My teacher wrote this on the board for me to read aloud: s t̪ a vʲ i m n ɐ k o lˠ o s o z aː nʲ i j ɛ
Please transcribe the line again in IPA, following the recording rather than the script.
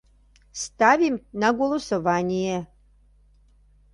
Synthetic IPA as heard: s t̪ a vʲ i m n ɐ ɡ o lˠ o s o v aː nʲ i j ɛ